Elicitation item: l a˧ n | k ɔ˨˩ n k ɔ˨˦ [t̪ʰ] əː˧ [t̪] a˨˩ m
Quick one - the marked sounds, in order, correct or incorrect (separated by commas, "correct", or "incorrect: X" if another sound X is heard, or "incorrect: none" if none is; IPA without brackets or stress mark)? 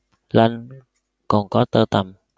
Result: incorrect: t̪, correct